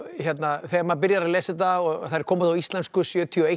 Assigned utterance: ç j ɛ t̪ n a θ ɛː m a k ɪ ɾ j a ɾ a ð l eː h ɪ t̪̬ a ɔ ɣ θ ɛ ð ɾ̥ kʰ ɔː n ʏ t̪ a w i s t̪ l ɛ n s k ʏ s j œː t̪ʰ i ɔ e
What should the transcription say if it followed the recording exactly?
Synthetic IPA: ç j ɛ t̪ n a θ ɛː m a p ɪ ɾ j a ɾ a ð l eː s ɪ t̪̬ a ɔ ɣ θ a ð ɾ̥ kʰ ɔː m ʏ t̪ a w i s t̪ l ɛ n s k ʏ s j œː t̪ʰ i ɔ e